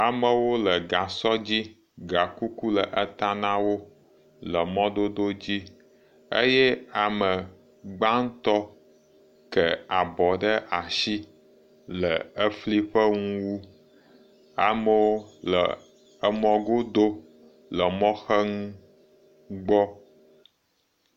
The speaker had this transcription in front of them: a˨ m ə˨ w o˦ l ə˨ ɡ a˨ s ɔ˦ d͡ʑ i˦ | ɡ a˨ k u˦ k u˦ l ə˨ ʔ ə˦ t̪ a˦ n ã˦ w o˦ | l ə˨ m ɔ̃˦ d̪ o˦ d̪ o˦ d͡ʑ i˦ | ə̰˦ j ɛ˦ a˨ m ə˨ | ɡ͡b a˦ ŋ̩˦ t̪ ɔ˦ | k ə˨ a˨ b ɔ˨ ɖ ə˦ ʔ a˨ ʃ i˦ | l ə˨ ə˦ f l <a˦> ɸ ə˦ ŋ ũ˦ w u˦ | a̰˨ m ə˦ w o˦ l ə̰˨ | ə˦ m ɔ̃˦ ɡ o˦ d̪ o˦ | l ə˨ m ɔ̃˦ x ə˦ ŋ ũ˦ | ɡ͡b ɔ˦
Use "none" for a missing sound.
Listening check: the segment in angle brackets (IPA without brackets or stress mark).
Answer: i˦